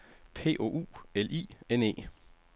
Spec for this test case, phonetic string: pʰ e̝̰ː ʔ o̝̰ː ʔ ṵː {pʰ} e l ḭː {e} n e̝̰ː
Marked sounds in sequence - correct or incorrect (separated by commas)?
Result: incorrect, correct